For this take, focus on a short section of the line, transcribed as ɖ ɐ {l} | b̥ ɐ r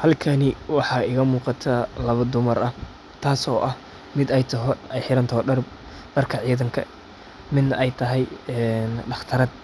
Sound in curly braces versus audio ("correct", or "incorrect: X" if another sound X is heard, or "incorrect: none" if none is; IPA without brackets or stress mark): incorrect: r